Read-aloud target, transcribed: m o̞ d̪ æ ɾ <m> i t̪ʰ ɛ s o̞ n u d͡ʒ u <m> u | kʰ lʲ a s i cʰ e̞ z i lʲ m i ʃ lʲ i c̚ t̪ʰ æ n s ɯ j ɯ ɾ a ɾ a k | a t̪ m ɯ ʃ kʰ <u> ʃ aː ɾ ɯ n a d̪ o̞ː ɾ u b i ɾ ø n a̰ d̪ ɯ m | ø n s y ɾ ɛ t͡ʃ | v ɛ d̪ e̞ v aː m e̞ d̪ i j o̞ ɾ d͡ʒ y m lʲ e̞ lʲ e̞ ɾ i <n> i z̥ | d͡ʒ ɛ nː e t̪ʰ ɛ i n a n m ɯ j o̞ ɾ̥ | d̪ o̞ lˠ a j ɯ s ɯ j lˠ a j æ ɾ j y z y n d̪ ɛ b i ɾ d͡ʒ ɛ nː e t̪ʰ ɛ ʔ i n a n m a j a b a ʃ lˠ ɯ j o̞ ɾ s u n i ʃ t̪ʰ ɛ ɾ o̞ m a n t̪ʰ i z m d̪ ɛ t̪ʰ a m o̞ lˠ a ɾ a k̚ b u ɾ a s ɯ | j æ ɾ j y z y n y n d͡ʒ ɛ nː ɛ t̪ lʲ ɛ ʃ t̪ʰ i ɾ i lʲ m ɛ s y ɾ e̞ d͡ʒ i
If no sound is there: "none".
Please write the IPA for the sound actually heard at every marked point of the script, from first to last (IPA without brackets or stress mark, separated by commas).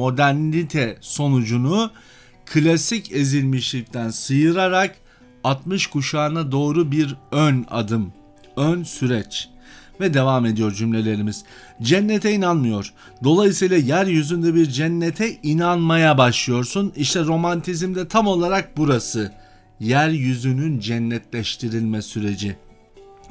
n, n, u, m